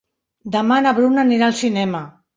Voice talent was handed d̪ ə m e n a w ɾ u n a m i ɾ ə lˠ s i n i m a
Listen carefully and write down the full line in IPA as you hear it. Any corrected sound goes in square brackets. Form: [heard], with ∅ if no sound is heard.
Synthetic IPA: d̪ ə m [a] n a [β] ɾ u n a [n] i ɾ [a] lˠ s i n [ɛ] m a